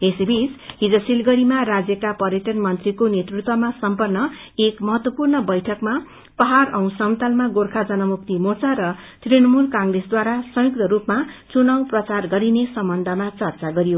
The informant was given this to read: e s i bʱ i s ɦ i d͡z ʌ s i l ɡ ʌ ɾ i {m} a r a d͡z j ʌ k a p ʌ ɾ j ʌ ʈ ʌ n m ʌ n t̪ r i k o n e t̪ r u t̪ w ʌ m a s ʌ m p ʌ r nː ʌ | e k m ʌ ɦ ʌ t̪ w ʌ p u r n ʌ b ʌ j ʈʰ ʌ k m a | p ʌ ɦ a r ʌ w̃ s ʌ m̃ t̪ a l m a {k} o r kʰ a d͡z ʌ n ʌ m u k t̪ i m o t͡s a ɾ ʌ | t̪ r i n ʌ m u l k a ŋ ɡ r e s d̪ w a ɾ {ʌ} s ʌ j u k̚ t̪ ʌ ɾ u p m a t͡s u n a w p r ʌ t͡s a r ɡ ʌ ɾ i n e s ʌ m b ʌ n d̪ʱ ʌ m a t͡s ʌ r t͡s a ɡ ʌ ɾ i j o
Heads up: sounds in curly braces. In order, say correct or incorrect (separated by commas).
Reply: correct, incorrect, incorrect